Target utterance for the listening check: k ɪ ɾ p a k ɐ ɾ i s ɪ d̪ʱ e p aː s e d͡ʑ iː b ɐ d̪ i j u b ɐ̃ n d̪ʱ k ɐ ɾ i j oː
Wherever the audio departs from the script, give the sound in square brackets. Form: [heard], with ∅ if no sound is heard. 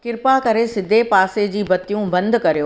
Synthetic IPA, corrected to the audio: k ɪ ɾ p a k ɐ ɾ [e] s ɪ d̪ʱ e p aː s e d͡ʑ iː b ɐ [t̪] i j [ũ] b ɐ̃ n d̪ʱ k ɐ ɾ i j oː